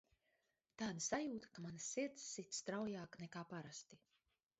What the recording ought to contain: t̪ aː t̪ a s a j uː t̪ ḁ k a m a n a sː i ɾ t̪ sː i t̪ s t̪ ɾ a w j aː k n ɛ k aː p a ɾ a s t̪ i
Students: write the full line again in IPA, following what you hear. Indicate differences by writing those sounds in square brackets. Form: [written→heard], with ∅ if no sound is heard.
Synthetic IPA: t̪ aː [t̪→d̪] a s a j uː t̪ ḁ k a m a n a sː i ɾ t̪ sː i t̪ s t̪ ɾ a w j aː k n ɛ k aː p a ɾ a s t̪ i